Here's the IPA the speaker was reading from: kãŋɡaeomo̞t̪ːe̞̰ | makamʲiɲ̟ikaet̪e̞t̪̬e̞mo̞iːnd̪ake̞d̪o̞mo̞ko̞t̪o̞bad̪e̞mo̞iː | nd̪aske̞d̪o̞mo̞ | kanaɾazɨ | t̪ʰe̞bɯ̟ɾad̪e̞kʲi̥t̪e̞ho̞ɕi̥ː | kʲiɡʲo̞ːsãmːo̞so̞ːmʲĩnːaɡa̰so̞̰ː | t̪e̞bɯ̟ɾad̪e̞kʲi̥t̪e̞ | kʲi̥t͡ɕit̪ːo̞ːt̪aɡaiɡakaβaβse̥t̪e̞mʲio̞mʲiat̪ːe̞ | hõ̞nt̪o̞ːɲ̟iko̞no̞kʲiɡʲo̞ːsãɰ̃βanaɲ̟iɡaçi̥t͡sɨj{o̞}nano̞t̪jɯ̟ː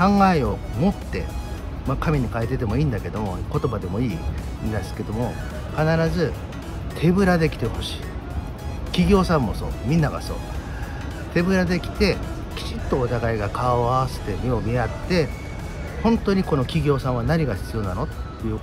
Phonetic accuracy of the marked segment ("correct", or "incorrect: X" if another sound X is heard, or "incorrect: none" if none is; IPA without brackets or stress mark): correct